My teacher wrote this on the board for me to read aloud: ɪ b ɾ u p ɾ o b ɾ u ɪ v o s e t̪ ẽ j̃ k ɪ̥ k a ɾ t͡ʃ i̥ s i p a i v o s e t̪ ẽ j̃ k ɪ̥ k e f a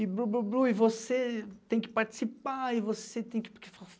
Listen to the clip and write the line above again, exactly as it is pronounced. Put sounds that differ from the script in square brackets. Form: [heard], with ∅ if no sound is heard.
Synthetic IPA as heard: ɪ b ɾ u [b] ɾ [u] b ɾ u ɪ v o s e t̪ ẽ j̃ k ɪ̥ [p] a ɾ t͡ʃ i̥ s i p a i v o s e t̪ ẽ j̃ k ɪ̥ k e f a